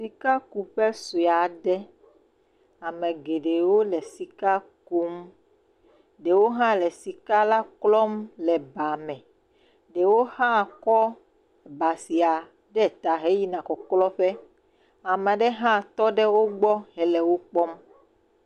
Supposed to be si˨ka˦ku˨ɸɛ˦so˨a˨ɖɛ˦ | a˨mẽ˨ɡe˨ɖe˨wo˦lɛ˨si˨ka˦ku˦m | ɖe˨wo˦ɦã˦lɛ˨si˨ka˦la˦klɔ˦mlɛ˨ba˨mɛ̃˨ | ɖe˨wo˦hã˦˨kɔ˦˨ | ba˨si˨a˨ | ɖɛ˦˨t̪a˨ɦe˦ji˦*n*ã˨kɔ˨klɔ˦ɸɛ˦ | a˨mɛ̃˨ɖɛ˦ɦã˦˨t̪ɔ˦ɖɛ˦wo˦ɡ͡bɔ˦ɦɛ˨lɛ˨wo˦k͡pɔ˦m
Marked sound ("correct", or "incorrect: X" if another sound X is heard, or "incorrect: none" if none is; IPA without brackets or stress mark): correct